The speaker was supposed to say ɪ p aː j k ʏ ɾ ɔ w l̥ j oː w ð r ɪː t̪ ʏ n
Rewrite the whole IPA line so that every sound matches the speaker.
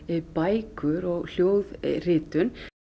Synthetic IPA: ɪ p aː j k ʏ ɾ ɔ ɣ l̥ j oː w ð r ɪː t̪ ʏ n